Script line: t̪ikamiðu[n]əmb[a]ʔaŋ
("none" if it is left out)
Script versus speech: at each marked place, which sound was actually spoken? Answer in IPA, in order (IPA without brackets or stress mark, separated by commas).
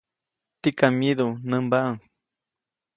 n, a